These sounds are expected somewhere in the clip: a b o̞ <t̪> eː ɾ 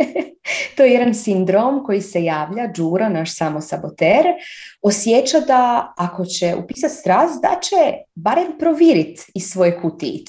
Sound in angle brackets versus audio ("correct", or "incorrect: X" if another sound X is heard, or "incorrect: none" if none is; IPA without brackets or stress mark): correct